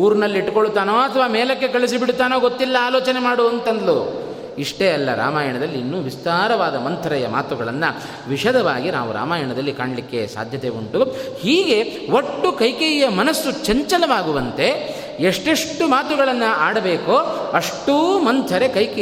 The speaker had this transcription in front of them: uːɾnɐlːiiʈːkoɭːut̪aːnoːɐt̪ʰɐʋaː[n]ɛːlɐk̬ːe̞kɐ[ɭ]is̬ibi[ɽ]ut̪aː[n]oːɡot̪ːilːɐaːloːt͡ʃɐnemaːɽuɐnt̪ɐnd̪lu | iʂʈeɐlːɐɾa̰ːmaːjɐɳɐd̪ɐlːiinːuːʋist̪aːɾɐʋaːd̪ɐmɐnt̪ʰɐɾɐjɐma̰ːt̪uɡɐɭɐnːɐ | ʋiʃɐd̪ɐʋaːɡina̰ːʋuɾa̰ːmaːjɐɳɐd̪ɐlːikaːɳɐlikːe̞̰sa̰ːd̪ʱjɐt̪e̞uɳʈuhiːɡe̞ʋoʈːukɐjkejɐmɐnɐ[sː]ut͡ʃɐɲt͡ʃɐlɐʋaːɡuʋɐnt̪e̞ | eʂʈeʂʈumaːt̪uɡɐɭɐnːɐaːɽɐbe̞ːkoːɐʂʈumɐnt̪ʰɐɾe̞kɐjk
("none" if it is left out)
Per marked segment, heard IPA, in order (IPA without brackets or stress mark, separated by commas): m, ɭ, ɽ, n, sː